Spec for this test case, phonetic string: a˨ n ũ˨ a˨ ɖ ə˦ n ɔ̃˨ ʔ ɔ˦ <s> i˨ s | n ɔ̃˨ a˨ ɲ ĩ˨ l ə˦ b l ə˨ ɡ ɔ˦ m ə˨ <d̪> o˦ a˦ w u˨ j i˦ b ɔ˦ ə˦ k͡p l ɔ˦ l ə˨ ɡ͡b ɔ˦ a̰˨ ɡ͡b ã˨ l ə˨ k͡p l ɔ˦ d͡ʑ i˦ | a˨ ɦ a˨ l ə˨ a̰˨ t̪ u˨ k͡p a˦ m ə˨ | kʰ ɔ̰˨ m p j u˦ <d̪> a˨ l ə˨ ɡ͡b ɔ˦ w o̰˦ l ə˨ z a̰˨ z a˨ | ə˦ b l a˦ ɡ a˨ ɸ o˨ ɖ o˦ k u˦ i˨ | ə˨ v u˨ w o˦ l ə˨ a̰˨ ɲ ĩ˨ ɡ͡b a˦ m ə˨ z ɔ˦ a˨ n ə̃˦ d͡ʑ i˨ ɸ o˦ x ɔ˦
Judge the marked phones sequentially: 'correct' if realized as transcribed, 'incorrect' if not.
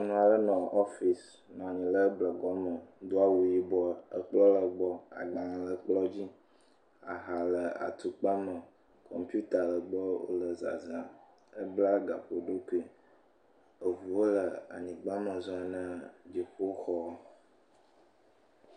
incorrect, correct, incorrect

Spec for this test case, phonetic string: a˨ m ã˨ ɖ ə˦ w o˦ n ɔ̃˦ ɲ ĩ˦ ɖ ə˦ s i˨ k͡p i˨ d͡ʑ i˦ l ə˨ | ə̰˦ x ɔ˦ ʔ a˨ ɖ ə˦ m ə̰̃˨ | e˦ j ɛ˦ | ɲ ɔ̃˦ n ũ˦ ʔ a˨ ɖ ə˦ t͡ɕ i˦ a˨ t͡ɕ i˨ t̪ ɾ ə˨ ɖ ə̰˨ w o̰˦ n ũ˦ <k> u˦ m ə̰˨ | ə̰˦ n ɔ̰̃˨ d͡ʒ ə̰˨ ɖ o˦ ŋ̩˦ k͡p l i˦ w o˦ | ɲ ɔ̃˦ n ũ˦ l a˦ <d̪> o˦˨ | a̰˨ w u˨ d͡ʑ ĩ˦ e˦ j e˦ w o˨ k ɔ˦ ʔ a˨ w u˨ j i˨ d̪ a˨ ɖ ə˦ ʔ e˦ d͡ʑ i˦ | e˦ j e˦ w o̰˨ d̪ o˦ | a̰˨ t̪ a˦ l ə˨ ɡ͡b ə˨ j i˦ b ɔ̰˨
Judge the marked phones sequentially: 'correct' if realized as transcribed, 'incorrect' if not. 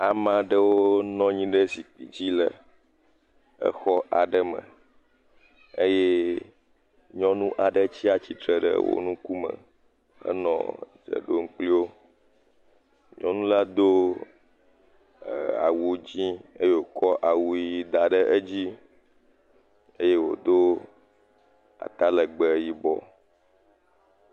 correct, correct

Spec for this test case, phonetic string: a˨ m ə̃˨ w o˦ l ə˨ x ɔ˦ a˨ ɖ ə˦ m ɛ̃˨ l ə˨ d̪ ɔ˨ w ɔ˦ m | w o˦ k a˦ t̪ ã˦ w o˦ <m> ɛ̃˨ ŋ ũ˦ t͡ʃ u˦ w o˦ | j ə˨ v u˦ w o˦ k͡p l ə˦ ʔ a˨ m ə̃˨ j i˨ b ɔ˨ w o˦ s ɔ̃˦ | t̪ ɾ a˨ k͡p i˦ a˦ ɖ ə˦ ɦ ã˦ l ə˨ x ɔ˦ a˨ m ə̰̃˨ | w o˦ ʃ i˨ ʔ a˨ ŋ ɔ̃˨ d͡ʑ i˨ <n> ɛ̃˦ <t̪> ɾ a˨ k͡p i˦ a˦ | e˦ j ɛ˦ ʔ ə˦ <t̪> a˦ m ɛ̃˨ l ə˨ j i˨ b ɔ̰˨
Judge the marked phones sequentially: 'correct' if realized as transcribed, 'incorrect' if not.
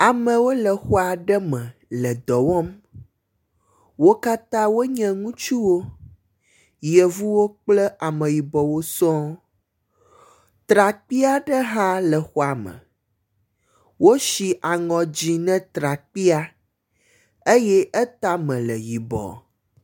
incorrect, correct, correct, correct

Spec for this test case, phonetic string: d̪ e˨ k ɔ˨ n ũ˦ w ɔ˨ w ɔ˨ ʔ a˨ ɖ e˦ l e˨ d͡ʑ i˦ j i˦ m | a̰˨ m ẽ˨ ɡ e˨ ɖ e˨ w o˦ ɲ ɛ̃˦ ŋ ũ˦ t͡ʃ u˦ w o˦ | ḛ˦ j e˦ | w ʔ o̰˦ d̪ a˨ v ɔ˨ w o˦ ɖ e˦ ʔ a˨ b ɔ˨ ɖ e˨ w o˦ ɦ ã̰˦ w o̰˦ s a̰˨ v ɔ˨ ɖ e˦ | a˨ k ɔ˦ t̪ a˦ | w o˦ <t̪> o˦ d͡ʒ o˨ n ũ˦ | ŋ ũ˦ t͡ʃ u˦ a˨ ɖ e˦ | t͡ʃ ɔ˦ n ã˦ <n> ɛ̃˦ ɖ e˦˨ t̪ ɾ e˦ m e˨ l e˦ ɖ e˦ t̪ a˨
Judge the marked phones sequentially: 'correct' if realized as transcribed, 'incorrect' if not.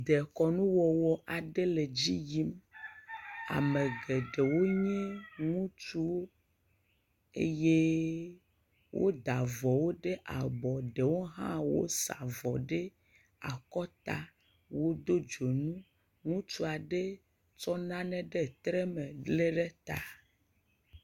incorrect, correct

